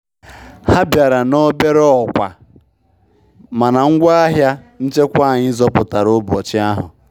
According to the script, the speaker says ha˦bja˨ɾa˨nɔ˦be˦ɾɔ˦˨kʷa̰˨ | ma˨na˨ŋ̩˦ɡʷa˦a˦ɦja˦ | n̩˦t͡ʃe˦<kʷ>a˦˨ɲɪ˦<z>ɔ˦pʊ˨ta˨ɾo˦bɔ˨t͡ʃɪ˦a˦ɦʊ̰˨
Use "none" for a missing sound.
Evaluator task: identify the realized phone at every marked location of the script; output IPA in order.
kʷ, z

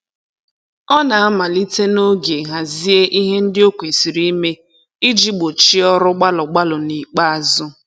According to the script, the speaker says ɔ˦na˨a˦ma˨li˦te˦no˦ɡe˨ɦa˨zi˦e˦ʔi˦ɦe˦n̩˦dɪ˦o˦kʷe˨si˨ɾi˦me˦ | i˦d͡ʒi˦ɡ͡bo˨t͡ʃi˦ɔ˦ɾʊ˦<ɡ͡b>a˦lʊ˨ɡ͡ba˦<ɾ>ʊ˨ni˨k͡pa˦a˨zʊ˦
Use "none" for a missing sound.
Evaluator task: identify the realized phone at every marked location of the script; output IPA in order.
ɡ͡b, l

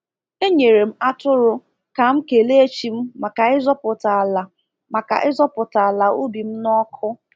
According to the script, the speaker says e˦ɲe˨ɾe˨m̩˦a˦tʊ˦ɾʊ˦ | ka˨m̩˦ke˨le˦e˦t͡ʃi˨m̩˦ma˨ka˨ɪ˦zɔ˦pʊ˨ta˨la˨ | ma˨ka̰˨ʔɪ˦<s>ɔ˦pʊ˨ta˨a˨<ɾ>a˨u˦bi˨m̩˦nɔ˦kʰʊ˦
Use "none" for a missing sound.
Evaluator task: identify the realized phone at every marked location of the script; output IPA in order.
z, l

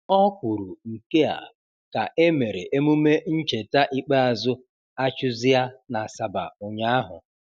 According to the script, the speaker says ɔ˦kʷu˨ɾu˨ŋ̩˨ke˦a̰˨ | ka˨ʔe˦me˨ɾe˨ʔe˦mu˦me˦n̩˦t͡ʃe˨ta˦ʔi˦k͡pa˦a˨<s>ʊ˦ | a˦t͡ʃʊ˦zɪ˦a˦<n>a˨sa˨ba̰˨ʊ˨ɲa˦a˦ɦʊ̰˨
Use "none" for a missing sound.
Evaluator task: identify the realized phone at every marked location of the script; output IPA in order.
z, n

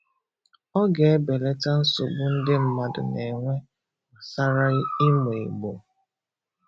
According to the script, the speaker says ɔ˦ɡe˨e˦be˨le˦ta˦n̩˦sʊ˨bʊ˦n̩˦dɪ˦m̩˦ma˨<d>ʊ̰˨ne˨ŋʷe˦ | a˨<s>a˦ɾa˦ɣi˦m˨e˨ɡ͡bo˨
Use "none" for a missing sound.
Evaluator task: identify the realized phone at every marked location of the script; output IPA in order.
d, s

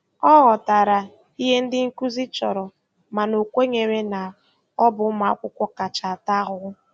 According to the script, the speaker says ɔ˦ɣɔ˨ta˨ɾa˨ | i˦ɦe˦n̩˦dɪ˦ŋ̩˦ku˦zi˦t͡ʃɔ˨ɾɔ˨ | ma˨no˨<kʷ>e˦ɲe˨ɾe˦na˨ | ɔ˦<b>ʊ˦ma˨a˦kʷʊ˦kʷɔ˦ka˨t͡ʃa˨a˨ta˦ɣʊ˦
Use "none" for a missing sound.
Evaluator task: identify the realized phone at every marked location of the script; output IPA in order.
kʷ, b

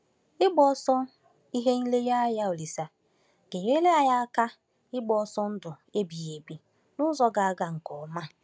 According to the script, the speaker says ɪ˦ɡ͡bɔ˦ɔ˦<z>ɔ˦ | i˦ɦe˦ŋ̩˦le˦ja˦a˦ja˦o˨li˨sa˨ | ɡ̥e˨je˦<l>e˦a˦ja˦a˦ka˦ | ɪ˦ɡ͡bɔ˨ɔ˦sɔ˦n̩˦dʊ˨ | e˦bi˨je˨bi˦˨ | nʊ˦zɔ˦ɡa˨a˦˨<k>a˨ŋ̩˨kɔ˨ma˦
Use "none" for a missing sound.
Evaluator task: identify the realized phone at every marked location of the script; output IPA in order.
s, l, ɡ

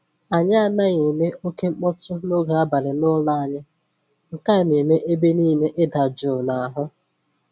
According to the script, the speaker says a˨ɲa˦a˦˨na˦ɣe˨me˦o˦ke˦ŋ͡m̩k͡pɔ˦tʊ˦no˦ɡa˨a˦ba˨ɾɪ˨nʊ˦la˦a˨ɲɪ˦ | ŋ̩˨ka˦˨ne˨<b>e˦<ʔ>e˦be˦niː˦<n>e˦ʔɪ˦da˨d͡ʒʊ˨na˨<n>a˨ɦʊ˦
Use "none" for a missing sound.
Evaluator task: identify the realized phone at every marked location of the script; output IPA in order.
m, ʔ, n, none

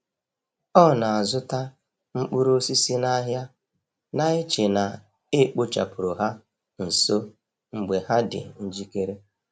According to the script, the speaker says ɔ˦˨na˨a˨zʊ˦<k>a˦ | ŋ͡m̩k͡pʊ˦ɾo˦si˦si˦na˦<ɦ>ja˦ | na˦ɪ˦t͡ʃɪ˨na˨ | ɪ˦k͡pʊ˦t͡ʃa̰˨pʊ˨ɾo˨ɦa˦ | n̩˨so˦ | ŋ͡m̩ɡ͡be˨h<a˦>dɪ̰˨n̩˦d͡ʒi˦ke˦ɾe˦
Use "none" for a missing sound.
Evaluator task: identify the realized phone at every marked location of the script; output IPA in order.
t, ɦ, a˦

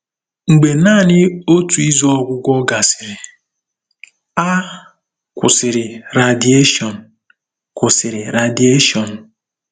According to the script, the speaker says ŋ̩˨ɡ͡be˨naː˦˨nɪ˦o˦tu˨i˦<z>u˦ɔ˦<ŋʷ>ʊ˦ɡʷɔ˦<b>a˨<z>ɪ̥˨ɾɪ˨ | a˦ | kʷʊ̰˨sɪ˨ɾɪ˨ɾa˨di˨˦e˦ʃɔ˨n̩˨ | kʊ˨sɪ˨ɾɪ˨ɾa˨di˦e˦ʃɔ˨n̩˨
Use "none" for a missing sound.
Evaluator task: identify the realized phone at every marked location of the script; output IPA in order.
z, ɡʷ, ɡ, s

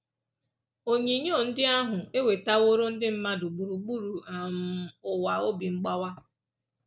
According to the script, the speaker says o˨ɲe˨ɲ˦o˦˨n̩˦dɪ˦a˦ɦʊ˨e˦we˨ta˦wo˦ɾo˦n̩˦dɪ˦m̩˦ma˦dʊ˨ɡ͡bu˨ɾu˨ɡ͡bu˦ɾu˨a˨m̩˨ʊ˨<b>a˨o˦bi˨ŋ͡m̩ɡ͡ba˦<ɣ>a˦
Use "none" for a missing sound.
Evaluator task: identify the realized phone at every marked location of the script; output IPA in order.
w, w

